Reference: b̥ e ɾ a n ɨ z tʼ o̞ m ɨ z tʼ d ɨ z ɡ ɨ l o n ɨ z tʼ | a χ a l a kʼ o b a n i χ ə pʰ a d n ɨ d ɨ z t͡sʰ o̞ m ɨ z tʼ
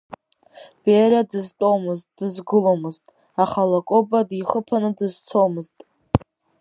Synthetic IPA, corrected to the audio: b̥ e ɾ a d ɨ z tʼ o̞ m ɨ z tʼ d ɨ z ɡ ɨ l o m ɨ z tʼ | a χ a l a kʼ o b a d i χ ə pʰ a n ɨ d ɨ z t͡sʰ o̞ m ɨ z tʼ